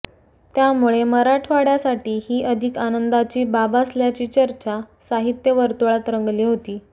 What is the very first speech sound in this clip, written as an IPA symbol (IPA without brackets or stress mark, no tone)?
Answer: t̪